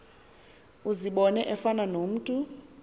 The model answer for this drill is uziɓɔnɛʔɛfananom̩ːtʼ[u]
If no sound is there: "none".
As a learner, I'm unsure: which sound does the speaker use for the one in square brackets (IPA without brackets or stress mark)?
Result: u